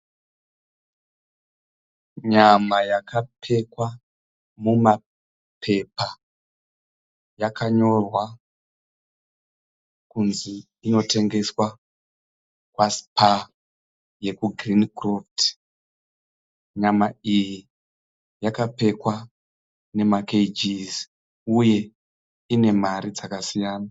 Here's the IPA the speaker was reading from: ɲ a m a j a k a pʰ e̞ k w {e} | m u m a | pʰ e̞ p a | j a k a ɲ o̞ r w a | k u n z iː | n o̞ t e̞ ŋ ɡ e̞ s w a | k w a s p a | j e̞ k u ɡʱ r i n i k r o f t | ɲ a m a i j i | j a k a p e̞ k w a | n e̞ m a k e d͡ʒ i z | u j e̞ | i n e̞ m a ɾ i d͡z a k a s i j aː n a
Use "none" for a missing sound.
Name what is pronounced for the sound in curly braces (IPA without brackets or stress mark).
a